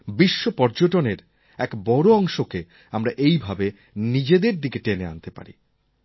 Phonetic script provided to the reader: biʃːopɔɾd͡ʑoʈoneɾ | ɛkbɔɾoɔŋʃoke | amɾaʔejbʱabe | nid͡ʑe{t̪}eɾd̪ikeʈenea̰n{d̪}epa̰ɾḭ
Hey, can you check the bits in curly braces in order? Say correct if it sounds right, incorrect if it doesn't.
incorrect: d̪, incorrect: t̪

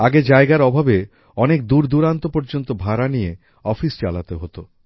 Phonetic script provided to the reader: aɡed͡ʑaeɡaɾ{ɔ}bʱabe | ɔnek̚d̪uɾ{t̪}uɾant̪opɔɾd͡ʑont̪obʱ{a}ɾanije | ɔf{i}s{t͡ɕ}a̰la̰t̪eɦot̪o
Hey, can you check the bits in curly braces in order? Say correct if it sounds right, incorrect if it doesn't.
correct, incorrect: d̪, correct, correct, correct

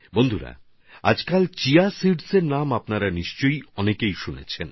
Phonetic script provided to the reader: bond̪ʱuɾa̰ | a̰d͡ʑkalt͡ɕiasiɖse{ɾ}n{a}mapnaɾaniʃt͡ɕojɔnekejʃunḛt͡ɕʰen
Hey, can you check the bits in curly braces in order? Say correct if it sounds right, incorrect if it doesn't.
correct, correct

